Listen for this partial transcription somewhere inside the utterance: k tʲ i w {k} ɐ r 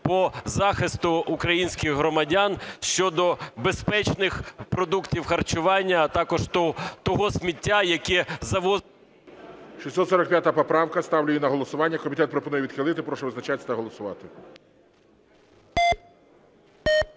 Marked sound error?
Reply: yes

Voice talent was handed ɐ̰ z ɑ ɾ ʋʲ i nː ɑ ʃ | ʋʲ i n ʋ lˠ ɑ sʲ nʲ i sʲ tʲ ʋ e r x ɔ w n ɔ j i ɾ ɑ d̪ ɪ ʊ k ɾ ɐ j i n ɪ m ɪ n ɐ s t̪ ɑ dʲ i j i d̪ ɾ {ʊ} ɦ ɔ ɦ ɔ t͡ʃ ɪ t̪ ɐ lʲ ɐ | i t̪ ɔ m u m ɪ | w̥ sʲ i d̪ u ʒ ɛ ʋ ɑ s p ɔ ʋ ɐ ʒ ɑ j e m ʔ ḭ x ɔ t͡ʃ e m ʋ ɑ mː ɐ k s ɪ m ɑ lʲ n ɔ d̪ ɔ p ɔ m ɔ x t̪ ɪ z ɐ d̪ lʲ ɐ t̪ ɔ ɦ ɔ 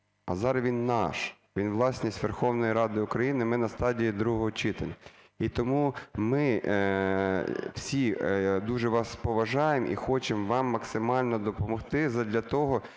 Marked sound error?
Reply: yes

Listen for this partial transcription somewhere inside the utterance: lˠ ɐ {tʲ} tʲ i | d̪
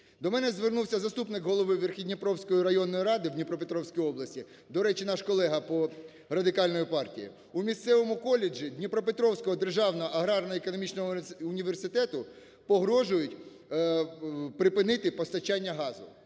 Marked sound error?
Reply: yes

